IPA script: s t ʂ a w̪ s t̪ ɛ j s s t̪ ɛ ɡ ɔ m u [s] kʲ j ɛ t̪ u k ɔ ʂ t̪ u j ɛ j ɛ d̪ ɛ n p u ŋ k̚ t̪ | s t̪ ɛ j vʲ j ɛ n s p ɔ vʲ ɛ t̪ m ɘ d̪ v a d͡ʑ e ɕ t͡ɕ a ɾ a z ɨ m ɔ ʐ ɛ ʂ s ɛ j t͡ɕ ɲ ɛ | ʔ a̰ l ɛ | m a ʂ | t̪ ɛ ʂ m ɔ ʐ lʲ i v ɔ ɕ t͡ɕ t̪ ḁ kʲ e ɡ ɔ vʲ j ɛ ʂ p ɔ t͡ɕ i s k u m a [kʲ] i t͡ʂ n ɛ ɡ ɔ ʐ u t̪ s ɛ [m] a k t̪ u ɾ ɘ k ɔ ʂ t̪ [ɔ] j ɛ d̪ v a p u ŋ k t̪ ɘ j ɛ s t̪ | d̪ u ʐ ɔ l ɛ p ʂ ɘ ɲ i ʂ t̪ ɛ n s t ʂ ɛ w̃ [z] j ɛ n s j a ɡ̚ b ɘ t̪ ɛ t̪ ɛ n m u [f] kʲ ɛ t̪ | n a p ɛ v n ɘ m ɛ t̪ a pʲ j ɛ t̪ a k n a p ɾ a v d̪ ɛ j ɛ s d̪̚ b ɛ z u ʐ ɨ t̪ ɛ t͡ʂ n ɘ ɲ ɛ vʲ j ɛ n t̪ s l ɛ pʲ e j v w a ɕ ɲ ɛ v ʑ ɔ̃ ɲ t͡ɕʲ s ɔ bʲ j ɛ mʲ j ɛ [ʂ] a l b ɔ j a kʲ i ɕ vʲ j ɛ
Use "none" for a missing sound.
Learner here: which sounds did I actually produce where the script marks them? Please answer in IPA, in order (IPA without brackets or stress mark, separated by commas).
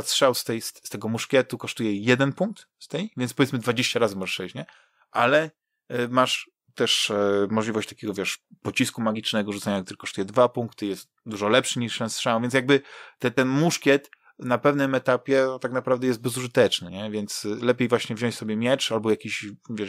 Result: ʂ, ɡʲ, ɲ, u, v, ʂ, t͡ʂ